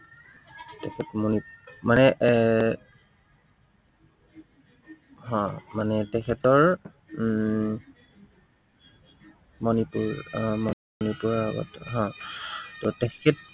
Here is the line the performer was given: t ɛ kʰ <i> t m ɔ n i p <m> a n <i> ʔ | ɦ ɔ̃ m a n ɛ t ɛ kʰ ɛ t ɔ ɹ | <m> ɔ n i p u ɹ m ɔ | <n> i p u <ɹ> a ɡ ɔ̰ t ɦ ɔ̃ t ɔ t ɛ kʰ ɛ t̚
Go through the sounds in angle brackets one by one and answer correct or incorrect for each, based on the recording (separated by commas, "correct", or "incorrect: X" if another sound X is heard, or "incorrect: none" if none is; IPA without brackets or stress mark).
incorrect: ɛ, correct, incorrect: ɛ, correct, correct, correct